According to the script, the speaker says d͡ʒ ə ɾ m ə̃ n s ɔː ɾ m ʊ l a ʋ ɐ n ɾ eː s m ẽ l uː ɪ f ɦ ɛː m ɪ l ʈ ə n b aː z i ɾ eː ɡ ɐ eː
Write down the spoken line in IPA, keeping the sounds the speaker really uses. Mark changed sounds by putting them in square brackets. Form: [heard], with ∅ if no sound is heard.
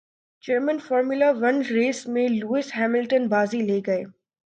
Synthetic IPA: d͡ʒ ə ɾ m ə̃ n [f] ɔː ɾ m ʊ l a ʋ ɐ n ɾ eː s m ẽ l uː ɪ [s] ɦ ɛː m ɪ l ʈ ə n b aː z i [l] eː ɡ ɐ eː